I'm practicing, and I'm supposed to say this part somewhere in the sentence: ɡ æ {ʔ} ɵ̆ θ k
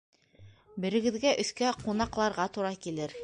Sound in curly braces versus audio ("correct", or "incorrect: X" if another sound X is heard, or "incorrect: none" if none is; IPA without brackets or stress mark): correct